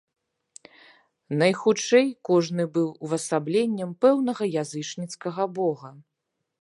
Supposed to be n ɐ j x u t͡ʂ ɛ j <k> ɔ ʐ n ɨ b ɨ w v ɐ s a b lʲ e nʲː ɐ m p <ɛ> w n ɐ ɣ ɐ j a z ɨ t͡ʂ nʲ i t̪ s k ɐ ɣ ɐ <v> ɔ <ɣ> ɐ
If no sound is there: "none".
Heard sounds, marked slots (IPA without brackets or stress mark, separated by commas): k, ɛ, b, ɣ